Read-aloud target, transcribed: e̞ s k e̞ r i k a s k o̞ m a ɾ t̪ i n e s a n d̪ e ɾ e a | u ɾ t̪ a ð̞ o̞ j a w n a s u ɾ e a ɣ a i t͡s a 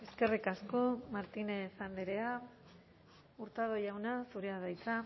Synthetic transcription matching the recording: e̞ s k e̞ r i k a s k o̞ m a ɾ t̪ i n e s a n d̪ e ɾ e a | u ɾ t̪ a ð̞ o̞ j a w n a s u ɾ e a ð a j t͡s a